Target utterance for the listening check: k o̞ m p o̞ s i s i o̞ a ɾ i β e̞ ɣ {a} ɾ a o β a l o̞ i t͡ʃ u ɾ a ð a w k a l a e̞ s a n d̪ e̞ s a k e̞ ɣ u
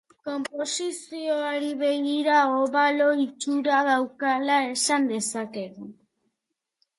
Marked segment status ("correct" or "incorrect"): incorrect